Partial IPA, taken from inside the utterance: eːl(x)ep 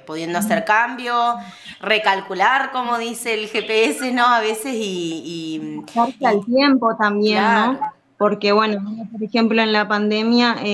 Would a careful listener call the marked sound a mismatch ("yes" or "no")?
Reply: no